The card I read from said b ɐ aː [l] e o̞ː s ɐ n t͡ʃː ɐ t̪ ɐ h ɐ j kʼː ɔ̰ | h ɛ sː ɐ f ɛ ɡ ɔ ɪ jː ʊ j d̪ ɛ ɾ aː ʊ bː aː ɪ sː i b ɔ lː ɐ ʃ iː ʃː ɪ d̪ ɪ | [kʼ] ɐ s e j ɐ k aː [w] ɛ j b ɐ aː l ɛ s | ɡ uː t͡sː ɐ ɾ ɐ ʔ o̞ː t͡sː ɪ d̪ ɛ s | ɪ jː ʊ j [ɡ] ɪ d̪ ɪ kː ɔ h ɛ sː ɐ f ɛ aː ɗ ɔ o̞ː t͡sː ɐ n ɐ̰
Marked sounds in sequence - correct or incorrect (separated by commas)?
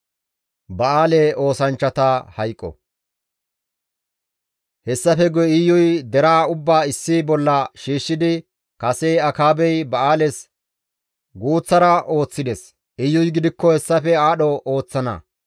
correct, incorrect, incorrect, correct